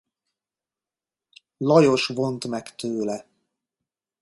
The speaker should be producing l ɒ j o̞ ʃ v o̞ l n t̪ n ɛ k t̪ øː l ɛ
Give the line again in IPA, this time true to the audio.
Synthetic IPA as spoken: l ɒ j o̞ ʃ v o̞ n t̪ m ɛ k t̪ øː l ɛ